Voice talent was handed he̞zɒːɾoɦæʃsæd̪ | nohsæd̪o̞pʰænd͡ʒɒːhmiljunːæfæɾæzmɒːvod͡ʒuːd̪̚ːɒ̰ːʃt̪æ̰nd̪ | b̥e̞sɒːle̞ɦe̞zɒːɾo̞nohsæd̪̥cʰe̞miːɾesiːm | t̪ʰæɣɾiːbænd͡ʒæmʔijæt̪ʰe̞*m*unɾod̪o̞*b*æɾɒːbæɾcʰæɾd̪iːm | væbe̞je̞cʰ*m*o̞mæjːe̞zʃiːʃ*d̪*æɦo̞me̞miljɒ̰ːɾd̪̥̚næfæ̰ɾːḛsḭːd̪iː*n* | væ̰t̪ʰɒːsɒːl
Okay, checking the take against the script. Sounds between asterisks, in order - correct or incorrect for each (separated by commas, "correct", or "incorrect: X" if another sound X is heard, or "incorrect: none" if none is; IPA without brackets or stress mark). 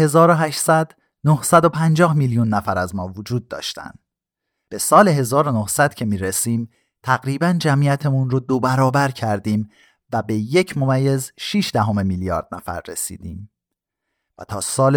correct, correct, correct, correct, incorrect: m